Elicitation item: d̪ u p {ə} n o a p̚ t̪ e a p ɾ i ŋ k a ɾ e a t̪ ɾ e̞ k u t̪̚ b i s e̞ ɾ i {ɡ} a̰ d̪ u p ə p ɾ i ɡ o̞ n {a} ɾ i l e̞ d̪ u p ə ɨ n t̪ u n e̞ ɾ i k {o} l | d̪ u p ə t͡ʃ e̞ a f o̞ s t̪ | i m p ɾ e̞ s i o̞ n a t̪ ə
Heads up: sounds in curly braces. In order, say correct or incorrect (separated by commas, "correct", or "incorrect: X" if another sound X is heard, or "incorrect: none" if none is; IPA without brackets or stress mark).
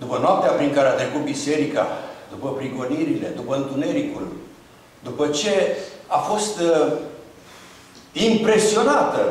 correct, incorrect: k, incorrect: i, incorrect: u